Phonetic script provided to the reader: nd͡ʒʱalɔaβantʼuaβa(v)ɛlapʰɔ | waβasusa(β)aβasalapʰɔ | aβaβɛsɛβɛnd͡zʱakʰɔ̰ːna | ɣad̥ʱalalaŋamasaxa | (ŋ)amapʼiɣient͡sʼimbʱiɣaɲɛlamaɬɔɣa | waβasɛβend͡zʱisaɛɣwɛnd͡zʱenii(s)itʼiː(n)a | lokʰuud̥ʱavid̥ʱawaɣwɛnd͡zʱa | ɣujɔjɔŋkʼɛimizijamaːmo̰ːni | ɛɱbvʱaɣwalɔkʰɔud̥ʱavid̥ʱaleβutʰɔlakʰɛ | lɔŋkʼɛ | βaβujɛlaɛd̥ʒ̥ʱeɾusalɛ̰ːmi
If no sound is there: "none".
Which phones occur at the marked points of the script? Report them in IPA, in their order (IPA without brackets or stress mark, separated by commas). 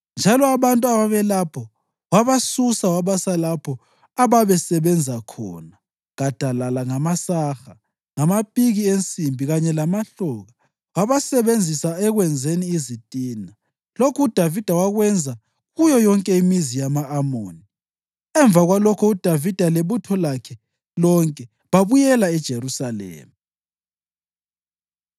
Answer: β, w, ŋ, z, n